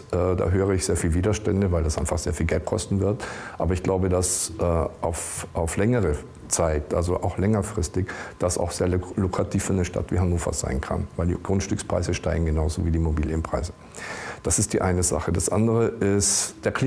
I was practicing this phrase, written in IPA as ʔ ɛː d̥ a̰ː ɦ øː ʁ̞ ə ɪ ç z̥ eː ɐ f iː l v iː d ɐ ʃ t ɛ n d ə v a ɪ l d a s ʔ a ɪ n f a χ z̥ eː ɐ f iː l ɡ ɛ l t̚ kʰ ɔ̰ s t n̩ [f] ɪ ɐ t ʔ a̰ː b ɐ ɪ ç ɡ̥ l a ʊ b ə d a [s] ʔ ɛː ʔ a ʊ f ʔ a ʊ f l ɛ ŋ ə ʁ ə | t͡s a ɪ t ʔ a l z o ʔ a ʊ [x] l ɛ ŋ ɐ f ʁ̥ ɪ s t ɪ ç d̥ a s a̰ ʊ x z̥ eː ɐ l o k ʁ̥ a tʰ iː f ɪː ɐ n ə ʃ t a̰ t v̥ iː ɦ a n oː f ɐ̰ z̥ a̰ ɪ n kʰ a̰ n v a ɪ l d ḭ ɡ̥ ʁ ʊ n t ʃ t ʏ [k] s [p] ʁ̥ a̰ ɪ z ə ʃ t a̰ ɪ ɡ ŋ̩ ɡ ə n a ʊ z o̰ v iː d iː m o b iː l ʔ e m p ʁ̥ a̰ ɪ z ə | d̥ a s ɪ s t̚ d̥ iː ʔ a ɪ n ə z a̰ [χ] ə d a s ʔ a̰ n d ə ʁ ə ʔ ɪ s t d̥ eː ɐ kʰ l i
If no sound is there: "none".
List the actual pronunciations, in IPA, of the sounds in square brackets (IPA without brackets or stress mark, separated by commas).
v, s, x, k, p, χ